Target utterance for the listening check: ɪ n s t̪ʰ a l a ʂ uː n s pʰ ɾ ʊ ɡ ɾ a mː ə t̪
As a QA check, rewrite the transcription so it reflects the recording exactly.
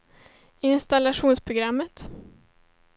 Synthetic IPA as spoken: ɪ n s t̪ a l a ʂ uː n s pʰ ɾ ʊ ɡ ɾ a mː ə t̪

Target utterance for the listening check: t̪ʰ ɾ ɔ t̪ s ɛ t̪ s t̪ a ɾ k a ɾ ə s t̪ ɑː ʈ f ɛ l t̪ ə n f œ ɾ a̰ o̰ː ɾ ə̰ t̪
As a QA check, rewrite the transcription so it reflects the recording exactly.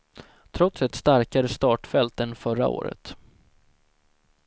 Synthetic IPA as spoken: t̪ʰ ɾ ɔ t̪ s ɛ t̪ s t̪ a ɾ k a ɾ ə s t̪ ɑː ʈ f ɛ l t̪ ə n f œ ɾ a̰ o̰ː ɾ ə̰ t̪

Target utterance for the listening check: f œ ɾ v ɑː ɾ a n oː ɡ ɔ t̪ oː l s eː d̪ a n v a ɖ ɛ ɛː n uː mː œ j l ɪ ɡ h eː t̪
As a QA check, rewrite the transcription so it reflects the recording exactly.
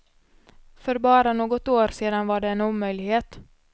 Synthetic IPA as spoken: f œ ɾ b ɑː ɾ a n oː ɡ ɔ t̪ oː ɾ s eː d̪ a n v a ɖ ɛ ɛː n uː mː œ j l ɪ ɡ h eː t̪

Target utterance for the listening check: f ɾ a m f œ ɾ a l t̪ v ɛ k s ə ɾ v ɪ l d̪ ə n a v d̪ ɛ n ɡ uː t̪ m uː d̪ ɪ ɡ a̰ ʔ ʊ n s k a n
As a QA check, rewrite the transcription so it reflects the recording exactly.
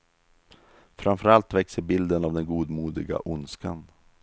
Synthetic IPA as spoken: f ɾ a m f œ ɾ a l t̪ v ɛ k s ə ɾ b ɪ l d̪ ə n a v d̪ ɛ n ɡ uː d̪ m uː d̪ ɪ ɡ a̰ ʔ ʊ n s k a n

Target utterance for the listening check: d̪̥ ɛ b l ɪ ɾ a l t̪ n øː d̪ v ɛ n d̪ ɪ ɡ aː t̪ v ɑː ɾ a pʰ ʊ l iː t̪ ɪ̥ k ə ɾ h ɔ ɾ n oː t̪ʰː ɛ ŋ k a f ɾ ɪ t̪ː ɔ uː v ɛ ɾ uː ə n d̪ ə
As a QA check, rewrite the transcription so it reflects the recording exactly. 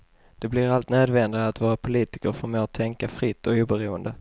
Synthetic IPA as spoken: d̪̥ ɛ b l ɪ ɾ a l t̪ n øː d̪ v ɛ n d̪ ɪ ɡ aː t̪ v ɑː ɾ a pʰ ʊ l iː t̪ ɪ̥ k ə ɾ f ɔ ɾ m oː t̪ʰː ɛ ŋ k a f ɾ ɪ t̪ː ɔ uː b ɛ ɾ uː ə n d̪ ə

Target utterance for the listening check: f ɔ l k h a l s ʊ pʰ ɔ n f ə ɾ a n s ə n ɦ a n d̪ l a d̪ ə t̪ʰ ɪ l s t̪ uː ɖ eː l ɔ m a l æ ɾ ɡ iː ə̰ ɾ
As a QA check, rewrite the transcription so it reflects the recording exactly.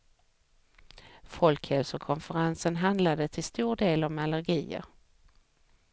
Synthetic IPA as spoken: f ɔ l k h ɛ l s ʊ kʰ ɔ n f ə ɾ a n s ə n ɦ a n d̪ l a d̪ ə t̪ʰ ɪ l s t̪ uː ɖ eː l ɔ m a l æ ɾ ɡ iː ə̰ ɾ

